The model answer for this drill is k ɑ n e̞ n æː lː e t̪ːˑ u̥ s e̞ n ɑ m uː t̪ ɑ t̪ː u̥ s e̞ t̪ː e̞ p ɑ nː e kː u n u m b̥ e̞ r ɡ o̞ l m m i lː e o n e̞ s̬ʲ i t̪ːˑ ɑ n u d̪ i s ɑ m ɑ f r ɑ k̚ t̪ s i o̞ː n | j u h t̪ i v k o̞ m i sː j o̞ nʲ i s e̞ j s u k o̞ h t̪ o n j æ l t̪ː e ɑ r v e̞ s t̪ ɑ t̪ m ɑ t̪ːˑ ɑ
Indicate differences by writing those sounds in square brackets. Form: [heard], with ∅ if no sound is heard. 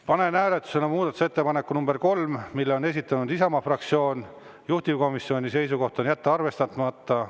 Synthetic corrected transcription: [p] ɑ n e̞ n æː [l] e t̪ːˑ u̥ s e̞ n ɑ m uː [d̪] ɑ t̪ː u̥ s e̞ t̪ː e̞ p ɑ [n] e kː u n u m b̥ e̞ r [k] o̞ l m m i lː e o n e̞ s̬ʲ i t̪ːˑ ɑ n u d̪ i s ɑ m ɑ f r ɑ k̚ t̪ s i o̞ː n | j u h t̪ i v k o̞ m i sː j o̞ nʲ i s e̞ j s u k o̞ h t̪ o n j æ [∅] t̪ː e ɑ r v e̞ s t̪ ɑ t̪ m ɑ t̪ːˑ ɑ

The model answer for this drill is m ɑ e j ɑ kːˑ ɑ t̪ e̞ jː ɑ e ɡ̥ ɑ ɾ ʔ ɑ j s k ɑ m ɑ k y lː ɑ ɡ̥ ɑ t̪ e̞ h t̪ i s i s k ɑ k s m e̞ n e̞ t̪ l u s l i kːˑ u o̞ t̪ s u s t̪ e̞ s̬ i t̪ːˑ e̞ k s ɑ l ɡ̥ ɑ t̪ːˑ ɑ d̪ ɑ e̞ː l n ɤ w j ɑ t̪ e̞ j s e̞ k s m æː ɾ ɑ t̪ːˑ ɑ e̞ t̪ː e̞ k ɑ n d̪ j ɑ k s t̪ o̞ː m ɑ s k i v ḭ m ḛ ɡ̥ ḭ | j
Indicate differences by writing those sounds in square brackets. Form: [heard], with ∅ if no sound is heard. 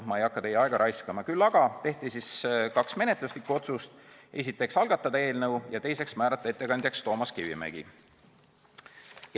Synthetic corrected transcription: m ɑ e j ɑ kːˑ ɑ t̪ e̞ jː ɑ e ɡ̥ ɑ ɾ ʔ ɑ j s k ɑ m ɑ k y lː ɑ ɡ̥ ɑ t̪ e̞ h t̪ i s i s k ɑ k s m e̞ n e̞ t̪ l u s l i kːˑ u o̞ t̪ s u s t̪ e̞ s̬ i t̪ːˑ e̞ k s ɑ l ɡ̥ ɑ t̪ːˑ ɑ d̪ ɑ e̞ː l n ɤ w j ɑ t̪ e̞ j s e̞ k s m æː ɾ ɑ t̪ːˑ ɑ e̞ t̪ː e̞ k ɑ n d̪ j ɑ k s t̪ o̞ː m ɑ s k i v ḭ m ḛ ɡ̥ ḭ | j

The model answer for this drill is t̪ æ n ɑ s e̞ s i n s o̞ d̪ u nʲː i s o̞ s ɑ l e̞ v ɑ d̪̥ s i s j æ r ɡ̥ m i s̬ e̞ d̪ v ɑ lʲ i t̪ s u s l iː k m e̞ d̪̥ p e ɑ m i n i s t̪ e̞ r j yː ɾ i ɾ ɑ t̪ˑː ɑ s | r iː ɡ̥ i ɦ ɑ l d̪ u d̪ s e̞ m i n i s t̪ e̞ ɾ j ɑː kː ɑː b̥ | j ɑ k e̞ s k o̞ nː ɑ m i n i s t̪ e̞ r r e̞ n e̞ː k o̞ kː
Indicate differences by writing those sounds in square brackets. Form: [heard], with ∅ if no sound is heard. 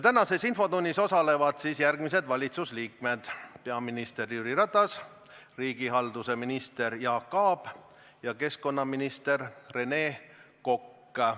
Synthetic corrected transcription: t̪ æ n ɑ s e̞ s i n [f] o̞ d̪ u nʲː i s o̞ s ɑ l e̞ v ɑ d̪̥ s i s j æ r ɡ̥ m i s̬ e̞ d̪ v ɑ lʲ i t̪ s u s l iː k m e̞ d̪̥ p e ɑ m i n i s t̪ e̞ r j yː ɾ i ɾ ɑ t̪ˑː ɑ s | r iː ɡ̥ i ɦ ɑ l d̪ u [∅] s e̞ m i n i s t̪ e̞ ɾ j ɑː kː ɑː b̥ | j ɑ k e̞ s k o̞ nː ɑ m i n i s t̪ e̞ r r e̞ n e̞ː k o̞ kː

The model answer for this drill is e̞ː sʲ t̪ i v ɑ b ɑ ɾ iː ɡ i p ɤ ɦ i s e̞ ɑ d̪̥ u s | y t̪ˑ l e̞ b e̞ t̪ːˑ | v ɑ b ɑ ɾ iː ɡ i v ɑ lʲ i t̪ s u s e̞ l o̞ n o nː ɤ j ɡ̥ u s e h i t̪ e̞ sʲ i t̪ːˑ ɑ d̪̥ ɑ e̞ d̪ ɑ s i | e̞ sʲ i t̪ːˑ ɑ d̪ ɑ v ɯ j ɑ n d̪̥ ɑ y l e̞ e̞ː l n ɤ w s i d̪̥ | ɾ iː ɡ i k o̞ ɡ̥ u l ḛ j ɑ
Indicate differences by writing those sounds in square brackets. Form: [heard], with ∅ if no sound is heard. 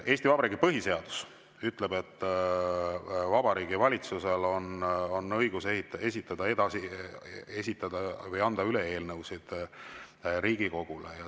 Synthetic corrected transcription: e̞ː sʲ t̪ i v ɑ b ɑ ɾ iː ɡ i p ɤ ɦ i s e̞ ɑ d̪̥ u s | y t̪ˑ l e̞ b e̞ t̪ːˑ | v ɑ b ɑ ɾ iː ɡ i v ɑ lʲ i t̪ s u s e̞ l o̞ n o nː ɤ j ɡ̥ u s e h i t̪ e̞ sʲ i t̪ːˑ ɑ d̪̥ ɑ e̞ d̪ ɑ s i | e̞ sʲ i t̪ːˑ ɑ d̪ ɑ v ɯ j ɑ n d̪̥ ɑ y l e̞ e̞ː l n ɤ w s i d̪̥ | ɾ iː ɡ i k o̞ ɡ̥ u l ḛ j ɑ

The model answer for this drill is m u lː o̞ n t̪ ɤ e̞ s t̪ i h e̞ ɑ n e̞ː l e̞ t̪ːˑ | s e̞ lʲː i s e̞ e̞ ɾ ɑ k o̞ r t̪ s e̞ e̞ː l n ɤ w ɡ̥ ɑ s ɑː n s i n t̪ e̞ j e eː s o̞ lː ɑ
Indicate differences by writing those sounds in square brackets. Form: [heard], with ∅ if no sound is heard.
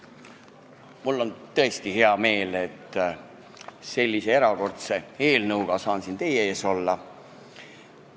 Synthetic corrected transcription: m u lː o̞ n t̪ ɤ e̞ s t̪ i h e̞ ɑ [m] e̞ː l e̞ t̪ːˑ | s e̞ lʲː i s e̞ e̞ ɾ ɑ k o̞ r t̪ s e̞ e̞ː l n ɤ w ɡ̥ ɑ s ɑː n s i n t̪ e̞ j e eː s o̞ lː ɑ

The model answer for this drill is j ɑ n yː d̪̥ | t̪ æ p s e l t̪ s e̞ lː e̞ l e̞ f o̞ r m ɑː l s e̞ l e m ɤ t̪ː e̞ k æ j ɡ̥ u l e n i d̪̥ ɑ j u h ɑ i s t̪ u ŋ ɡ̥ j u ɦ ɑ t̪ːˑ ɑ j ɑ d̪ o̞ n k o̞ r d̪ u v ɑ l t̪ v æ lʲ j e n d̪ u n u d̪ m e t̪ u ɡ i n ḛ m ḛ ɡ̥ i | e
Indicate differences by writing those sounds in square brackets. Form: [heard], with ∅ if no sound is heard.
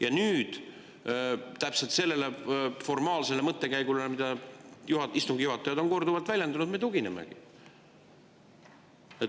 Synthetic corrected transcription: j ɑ n yː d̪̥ | t̪ æ p s e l t̪ s e̞ lː e̞ l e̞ f o̞ r m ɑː l s e̞ l e m ɤ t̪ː e̞ k æ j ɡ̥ u l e [m] i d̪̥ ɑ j u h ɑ i s t̪ u ŋ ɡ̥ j u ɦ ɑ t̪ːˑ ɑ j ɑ d̪ o̞ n k o̞ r d̪ u v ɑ l t̪ v æ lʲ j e n d̪ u n u d̪ m e t̪ u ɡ i n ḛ m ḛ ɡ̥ i | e

